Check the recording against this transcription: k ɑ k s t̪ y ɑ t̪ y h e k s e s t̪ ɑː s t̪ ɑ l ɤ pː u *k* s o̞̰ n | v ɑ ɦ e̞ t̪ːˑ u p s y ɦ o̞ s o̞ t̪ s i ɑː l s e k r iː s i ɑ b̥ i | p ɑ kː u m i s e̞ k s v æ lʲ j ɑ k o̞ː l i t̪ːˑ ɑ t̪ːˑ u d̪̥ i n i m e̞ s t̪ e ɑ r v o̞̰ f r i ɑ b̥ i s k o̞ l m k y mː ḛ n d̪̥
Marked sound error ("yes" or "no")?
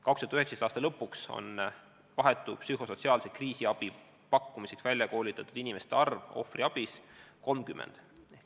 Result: no